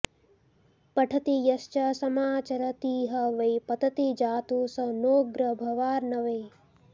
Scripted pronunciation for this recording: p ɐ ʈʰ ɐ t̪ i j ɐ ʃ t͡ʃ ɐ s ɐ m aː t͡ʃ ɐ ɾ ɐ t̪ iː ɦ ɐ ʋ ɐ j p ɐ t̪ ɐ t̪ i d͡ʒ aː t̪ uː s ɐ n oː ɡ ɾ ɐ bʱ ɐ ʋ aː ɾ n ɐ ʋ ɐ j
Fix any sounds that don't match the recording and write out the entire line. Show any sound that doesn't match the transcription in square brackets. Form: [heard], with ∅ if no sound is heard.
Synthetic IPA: p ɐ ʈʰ ɐ t̪ i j ɐ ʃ t͡ʃ ɐ s ɐ m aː t͡ʃ ɐ ɾ ɐ t̪ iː ɦ ɐ ʋ ɐ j p ɐ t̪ ɐ t̪ i d͡ʒ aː t̪ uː s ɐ n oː ɡ ɾ ɐ bʱ ɐ ʋ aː ɾ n ɐ ʋ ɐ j